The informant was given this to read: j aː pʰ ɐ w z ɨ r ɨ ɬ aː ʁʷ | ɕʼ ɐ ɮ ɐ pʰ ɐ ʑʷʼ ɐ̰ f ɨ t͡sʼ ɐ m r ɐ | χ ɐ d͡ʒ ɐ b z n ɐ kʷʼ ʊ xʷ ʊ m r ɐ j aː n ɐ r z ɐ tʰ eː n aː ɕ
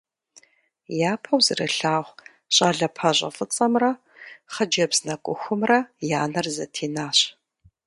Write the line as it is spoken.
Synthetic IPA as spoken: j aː pʰ ɐ w z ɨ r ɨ ɬ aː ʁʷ | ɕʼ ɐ ɮ ɐ pʰ ɐ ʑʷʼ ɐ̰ f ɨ t͡sʼ ɐ m r ɐ | χ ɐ d͡ʒ ɐ b z n ɐ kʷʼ ʊ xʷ ʊ m r ɐ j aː n ɐ r z ɐ tʰ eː n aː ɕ